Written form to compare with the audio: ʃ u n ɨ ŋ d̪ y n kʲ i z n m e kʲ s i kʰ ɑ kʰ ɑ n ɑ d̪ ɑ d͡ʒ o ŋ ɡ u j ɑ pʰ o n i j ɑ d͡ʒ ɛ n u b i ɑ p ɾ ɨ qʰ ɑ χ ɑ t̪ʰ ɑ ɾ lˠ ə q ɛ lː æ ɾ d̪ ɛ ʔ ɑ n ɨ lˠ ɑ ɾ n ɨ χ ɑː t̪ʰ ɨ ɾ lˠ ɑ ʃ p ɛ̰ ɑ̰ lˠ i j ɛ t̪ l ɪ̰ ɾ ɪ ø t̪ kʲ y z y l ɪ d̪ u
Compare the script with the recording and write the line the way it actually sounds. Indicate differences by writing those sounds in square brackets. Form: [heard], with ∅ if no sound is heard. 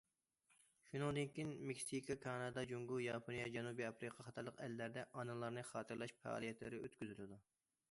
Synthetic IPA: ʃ u n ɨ ŋ d̪ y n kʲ i [∅] n m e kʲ s i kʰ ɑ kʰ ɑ n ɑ d̪ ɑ d͡ʒ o ŋ ɡ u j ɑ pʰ o n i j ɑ d͡ʒ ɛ n u b i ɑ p ɾ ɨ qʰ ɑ χ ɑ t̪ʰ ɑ ɾ lˠ ə q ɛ lː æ ɾ d̪ ɛ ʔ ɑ n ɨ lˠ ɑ ɾ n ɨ χ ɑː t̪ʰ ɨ ɾ lˠ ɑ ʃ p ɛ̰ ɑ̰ lˠ i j ɛ t̪ l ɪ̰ ɾ ɪ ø t̪ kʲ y z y l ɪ d̪ u